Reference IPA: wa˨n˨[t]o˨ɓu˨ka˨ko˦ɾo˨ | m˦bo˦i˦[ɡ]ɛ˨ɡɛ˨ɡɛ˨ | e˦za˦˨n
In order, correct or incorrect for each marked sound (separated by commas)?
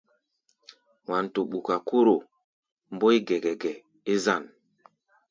correct, correct